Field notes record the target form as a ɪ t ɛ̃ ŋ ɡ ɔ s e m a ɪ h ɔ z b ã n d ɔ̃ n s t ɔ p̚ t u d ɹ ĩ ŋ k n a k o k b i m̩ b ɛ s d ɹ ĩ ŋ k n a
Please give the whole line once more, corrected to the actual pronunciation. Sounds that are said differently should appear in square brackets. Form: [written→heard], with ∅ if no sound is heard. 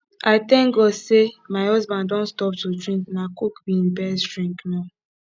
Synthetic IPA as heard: a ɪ t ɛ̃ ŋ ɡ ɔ s e m a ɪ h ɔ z b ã n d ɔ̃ n s t ɔ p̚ t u d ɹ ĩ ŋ k n a k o k b i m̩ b ɛ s d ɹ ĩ ŋ k n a